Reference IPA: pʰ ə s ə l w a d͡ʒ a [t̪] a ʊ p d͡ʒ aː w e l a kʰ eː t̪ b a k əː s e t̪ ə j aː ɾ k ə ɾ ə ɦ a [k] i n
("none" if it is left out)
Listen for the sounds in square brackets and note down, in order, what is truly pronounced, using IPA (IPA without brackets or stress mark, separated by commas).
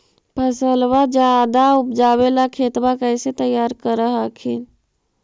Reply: d̪, kʰ